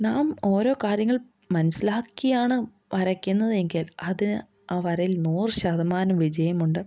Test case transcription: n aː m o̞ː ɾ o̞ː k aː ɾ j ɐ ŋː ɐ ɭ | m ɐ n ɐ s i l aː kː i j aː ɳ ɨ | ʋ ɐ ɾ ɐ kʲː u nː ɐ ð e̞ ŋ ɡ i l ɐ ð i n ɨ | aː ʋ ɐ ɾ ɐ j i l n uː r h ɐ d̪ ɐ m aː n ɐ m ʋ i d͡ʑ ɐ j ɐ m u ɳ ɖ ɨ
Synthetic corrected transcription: n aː m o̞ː ɾ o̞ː k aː ɾ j ɐ ŋː ɐ ɭ | m ɐ n ɐ s i l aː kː i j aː ɳ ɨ | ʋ ɐ ɾ ɐ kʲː u nː ɐ ð e̞ ŋ ɡ i l ɐ ð i n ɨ | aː ʋ ɐ ɾ ɐ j i l n uː r ɕ ɐ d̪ ɐ m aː n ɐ m ʋ i d͡ʑ ɐ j ɐ m u ɳ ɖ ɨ

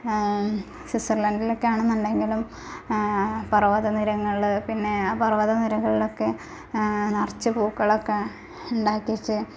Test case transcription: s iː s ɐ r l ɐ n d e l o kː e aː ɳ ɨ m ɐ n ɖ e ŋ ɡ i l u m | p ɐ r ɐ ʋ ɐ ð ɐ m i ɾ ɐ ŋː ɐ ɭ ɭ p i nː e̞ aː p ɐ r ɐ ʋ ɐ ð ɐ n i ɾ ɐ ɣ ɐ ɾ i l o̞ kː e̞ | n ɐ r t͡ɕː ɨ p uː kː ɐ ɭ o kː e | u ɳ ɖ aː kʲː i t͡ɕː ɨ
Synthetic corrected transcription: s i s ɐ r l ɐ n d i l o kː e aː ɳ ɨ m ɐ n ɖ e ŋ ɡ i l u m | p ɐ r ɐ ʋ ɐ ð ɐ n i ɾ ɐ ŋː ɐ ɭ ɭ p i nː e̞ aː p ɐ r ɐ ʋ ɐ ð ɐ n i ɾ ɐ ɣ ɐ ɭ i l o̞ kː e̞ | n ɐ r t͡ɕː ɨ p uː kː ɐ ɭ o kː e | u ɳ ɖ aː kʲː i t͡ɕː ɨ

